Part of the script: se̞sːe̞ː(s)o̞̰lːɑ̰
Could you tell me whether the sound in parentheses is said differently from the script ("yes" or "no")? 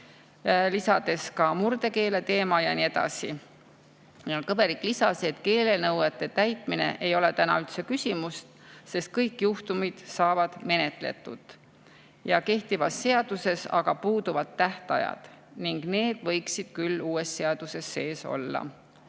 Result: no